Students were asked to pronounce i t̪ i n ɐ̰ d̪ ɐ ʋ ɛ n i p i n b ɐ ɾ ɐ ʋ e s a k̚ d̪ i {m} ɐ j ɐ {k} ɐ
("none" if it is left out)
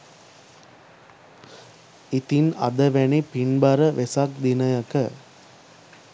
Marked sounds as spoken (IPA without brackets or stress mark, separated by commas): n, k